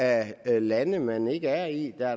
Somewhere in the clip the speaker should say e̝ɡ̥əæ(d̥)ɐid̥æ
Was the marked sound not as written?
yes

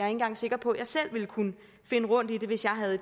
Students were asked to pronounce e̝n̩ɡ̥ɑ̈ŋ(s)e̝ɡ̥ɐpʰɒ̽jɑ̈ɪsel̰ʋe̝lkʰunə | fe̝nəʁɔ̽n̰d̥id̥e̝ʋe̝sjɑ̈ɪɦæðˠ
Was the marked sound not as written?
no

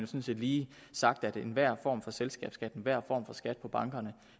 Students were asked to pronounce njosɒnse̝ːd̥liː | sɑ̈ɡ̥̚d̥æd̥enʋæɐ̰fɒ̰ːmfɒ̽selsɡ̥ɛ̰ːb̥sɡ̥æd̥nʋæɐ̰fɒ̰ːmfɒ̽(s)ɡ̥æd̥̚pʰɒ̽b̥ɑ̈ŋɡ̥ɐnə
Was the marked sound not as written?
no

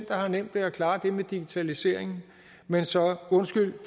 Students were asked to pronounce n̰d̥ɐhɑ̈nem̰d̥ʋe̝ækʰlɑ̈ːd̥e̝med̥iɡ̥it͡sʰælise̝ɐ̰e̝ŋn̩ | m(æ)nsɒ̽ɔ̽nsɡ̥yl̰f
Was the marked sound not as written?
yes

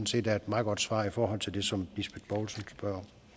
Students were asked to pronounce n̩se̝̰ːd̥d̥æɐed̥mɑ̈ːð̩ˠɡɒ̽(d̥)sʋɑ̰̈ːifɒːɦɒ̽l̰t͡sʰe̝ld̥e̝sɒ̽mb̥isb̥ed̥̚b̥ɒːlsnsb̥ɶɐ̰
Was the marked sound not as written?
no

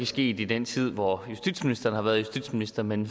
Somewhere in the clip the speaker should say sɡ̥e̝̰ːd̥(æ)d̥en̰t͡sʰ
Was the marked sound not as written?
yes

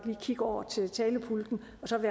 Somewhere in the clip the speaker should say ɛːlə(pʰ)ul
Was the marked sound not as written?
no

